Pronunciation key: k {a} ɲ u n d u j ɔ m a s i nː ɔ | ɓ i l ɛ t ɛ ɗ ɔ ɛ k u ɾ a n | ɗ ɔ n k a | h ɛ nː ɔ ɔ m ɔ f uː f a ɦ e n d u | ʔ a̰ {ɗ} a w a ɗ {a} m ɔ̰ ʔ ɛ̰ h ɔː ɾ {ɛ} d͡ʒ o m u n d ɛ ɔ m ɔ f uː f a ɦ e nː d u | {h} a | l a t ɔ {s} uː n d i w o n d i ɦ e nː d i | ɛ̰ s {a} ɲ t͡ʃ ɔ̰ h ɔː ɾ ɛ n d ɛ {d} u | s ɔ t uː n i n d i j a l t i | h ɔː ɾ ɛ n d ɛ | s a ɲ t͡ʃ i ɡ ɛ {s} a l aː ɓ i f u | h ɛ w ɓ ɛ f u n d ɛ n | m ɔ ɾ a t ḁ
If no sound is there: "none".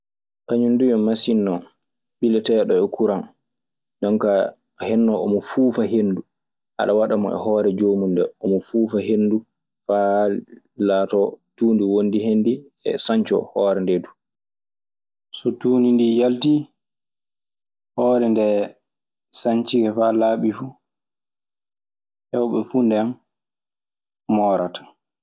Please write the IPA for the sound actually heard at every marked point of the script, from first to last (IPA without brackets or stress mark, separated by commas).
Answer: a, ɗ, a, ɛ, f, t, a, d, f